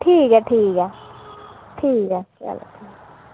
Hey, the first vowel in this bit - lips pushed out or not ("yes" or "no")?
no